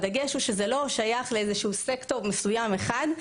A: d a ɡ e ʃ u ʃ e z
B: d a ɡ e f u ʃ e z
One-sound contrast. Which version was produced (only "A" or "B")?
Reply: A